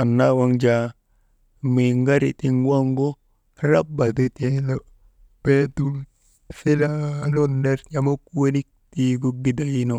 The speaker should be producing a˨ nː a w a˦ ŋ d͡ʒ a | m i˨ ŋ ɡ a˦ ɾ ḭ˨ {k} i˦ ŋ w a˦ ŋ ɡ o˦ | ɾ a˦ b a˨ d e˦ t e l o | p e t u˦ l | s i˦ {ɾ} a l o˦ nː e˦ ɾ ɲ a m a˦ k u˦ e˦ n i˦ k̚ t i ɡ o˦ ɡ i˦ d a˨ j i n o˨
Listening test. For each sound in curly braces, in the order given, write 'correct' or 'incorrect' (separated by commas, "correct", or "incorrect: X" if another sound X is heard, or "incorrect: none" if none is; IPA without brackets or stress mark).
incorrect: t, incorrect: l